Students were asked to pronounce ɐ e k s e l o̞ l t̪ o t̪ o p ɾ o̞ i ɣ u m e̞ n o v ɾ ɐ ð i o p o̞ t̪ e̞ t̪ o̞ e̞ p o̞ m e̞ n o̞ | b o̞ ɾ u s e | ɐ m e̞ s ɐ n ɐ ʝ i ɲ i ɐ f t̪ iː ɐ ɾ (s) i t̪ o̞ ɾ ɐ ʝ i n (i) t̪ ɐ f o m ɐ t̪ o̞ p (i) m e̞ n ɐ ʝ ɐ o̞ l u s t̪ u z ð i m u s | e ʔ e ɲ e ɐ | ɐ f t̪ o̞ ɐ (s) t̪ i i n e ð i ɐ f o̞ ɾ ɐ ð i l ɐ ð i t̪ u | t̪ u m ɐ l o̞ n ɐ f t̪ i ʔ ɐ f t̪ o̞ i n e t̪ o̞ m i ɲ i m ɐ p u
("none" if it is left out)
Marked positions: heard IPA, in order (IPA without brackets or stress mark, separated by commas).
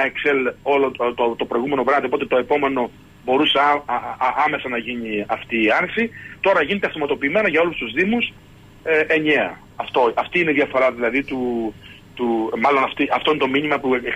s, e, iː, f